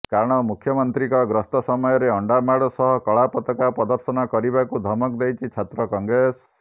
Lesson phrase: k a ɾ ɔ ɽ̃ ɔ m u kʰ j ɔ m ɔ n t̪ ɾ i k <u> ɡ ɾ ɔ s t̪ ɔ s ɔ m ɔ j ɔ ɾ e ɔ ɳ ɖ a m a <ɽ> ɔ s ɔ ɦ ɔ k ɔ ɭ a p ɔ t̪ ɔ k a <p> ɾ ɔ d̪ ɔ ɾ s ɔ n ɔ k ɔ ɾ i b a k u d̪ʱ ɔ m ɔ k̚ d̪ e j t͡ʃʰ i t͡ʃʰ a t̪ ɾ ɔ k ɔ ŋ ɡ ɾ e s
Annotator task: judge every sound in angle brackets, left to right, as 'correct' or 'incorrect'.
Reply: incorrect: ɔ, correct, correct

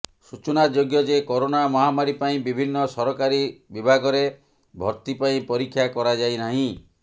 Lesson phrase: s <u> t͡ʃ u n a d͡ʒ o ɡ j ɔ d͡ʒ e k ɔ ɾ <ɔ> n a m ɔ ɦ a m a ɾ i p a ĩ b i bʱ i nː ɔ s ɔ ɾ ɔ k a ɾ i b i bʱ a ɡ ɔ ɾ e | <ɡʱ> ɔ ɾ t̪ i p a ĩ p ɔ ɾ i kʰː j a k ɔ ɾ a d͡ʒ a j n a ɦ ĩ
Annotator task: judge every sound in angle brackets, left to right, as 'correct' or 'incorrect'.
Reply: correct, incorrect: o, incorrect: bʱ

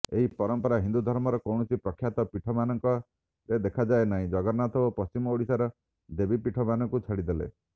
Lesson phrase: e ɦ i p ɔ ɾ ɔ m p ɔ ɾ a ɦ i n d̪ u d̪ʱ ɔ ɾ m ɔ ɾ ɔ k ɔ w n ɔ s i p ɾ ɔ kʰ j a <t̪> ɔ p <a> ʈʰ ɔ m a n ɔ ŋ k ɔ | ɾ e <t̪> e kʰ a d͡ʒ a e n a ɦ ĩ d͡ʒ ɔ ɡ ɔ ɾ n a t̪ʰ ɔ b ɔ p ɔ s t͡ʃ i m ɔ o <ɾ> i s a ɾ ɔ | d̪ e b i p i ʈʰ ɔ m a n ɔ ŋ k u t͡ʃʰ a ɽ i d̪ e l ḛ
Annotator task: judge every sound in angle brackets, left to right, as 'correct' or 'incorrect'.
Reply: correct, incorrect: i, incorrect: d̪, incorrect: ɽ

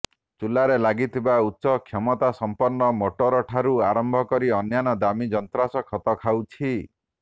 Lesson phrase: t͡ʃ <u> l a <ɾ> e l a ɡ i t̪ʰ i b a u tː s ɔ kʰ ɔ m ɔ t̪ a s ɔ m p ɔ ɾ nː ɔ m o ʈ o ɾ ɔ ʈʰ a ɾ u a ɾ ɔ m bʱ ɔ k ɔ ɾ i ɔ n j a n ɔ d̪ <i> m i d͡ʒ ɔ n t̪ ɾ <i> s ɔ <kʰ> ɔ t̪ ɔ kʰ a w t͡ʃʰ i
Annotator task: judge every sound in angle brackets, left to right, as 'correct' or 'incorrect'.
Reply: correct, correct, incorrect: a, incorrect: a, correct

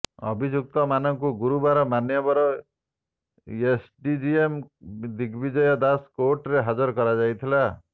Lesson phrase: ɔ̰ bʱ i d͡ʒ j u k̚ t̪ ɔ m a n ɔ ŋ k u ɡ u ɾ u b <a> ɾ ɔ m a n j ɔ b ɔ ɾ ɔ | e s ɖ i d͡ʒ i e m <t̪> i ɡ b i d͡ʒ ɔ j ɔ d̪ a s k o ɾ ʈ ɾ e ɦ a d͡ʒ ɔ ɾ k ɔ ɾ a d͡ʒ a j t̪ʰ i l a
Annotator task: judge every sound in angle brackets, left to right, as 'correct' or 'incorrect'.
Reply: correct, incorrect: d̪

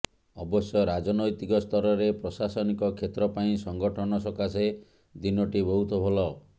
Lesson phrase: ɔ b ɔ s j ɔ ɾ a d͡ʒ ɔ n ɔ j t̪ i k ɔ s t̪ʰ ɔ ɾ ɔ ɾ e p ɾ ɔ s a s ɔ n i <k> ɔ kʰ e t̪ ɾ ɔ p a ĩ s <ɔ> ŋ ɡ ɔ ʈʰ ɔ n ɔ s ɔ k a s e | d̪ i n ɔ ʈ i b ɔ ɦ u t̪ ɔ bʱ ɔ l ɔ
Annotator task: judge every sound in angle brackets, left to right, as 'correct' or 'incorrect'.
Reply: correct, correct

